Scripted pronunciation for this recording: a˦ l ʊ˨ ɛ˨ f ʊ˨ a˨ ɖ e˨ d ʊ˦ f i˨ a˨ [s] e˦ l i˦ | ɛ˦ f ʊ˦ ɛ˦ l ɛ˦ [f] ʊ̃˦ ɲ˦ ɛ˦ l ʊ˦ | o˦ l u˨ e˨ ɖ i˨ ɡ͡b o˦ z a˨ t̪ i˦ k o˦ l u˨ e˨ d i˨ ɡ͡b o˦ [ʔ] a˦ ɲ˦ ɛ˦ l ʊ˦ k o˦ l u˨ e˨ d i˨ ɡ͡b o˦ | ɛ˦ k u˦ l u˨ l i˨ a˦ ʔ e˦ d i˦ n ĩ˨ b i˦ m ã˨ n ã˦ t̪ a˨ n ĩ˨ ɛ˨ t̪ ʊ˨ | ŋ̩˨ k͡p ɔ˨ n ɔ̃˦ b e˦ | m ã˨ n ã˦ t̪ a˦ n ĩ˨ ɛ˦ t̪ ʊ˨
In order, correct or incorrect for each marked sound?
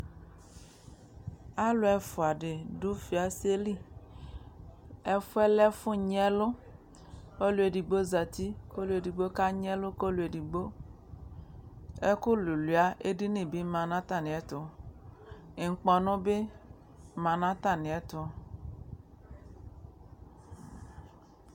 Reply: correct, correct, incorrect: k

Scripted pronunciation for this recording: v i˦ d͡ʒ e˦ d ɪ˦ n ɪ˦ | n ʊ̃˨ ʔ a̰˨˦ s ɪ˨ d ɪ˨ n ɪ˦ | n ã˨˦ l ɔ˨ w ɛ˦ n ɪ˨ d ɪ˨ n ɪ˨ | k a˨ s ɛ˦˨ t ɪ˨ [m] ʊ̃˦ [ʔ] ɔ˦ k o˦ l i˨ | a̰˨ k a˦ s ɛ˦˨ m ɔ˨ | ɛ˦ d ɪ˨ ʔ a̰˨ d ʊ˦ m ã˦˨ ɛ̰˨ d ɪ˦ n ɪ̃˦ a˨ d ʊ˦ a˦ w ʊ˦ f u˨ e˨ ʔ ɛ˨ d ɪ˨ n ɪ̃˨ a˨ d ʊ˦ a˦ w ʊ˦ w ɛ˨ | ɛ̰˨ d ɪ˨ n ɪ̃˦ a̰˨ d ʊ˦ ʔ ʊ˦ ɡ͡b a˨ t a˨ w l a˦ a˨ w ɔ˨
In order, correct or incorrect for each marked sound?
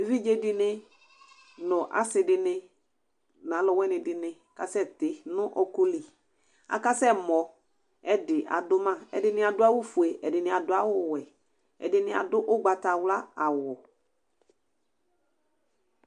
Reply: incorrect: n, correct

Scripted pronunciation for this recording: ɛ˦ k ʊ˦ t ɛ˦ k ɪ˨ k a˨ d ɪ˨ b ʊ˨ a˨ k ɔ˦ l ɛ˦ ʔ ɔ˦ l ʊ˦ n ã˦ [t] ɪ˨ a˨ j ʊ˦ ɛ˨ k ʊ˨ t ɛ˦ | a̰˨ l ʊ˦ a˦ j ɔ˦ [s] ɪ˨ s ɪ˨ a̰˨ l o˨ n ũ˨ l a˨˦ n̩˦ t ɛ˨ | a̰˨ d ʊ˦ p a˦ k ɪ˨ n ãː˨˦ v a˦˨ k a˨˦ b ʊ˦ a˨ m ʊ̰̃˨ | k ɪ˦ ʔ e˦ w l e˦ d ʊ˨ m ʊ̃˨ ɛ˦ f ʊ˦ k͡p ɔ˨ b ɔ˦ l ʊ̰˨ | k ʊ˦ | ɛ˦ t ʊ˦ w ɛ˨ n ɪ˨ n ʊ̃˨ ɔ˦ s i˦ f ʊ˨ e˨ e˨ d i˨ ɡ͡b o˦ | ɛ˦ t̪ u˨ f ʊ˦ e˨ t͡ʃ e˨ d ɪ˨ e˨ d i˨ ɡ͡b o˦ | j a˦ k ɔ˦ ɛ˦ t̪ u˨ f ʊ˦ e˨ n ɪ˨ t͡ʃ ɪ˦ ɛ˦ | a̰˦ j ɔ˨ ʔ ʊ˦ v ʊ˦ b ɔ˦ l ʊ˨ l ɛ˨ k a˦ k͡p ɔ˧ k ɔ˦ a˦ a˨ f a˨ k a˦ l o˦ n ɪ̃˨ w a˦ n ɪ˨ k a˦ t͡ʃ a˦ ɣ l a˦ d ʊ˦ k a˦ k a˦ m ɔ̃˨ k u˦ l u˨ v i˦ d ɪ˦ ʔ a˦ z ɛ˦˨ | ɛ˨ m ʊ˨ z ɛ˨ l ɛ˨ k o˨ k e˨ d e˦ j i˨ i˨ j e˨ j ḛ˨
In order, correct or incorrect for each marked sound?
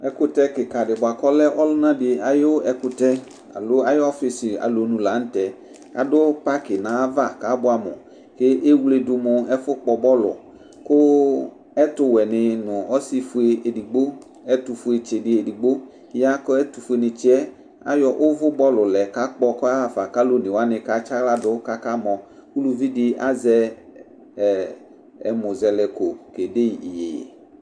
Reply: incorrect: d, incorrect: f

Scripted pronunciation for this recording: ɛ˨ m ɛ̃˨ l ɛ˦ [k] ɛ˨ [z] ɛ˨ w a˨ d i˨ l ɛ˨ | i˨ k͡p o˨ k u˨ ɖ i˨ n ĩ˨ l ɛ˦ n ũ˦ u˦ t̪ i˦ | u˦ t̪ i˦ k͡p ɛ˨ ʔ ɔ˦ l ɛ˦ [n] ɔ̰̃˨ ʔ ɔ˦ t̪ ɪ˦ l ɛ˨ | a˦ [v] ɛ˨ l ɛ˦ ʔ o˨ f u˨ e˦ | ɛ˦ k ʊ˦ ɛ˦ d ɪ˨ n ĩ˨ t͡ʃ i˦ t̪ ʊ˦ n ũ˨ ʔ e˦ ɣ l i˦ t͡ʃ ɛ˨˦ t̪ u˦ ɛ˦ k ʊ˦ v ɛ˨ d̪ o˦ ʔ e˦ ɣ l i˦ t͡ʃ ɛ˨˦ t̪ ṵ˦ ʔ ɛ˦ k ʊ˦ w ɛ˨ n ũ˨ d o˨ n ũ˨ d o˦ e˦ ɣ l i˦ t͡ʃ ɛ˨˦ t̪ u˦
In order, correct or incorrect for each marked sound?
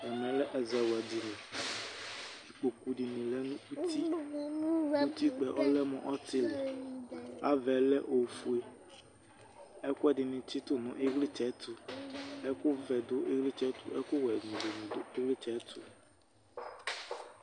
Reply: incorrect: ʔ, correct, incorrect: m, correct

